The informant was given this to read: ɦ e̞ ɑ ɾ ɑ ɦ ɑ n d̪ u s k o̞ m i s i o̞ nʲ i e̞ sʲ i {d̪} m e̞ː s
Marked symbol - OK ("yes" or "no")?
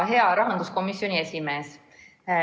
no